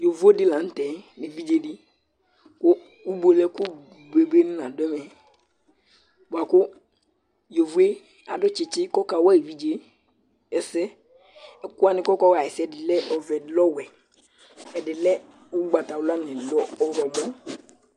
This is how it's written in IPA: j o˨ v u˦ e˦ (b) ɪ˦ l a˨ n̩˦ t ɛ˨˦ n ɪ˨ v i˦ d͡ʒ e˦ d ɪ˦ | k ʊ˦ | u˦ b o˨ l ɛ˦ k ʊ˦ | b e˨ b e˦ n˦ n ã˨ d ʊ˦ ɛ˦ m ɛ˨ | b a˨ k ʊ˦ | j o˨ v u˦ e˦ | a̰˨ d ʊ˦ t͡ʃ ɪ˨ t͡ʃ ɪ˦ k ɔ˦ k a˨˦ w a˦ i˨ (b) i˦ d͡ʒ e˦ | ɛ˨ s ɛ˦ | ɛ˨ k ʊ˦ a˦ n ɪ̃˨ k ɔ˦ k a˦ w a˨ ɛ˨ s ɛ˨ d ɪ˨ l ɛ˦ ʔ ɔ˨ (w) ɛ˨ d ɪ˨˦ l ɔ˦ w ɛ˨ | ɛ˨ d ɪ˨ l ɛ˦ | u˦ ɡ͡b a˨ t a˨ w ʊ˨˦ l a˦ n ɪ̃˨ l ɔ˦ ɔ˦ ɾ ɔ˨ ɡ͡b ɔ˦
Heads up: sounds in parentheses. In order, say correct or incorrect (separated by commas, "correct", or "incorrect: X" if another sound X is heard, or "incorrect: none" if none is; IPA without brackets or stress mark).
incorrect: d, incorrect: v, incorrect: v